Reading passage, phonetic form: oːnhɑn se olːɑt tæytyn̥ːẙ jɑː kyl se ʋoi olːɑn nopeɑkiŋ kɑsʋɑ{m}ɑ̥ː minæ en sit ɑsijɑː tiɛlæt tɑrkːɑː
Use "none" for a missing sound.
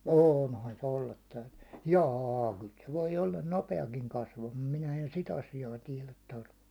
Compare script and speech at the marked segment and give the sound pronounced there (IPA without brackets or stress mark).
m